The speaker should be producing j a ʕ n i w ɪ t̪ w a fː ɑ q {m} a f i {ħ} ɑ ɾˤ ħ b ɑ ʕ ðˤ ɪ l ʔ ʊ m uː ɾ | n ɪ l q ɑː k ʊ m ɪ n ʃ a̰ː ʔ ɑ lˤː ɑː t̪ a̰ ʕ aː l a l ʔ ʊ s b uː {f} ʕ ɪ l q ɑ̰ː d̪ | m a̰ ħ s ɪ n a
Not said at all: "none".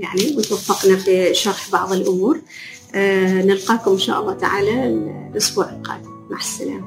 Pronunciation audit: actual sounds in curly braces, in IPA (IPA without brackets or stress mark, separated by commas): n, ʃ, none